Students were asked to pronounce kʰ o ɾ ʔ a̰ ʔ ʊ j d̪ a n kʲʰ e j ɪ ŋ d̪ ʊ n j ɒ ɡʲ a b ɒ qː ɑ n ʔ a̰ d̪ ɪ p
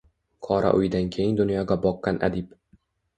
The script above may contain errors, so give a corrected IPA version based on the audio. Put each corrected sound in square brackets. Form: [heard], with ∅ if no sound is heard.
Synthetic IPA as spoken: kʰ [ɒ] ɾ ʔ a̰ ʔ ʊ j d̪ a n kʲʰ e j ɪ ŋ d̪ ʊ n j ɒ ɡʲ a b ɒ qː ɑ n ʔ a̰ d̪ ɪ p